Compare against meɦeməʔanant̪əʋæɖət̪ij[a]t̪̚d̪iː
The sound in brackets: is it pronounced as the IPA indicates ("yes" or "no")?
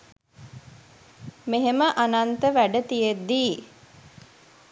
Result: no